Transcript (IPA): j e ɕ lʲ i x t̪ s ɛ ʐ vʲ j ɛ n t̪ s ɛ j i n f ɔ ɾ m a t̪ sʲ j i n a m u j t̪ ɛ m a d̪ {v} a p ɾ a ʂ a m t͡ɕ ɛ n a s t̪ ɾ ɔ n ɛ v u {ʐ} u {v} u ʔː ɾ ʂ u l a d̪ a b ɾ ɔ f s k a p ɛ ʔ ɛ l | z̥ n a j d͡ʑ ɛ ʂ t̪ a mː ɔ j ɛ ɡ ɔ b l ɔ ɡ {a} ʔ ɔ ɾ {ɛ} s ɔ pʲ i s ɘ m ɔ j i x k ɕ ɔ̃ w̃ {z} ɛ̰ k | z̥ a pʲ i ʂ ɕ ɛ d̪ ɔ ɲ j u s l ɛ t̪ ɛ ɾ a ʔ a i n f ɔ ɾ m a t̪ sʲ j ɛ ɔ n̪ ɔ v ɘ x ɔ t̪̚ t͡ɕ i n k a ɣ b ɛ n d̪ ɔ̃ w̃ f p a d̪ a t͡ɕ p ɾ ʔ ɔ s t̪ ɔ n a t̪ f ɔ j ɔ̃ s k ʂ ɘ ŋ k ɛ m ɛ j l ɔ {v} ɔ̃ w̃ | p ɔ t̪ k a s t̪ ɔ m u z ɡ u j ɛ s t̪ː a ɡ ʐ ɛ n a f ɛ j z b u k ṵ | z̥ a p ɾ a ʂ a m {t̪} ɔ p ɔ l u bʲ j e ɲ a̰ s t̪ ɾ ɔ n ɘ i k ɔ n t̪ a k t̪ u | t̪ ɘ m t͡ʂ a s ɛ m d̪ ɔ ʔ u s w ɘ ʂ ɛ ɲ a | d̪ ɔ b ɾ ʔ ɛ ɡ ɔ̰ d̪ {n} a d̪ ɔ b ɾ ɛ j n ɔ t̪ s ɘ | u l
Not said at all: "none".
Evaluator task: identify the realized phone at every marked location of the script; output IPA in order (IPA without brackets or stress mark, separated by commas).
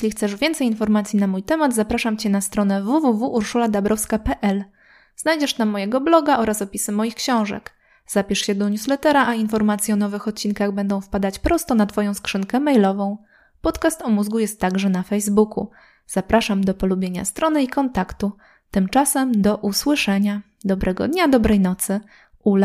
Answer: z, v, v, a, a, ʐ, v, d̪, ɲ